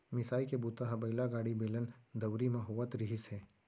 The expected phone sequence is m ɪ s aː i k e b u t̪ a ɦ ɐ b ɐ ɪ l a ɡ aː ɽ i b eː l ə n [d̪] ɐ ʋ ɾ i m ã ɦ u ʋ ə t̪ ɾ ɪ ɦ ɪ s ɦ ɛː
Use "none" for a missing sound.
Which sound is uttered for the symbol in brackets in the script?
d̪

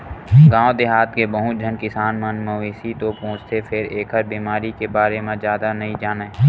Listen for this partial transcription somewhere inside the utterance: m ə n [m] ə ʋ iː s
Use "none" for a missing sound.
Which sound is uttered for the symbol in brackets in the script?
m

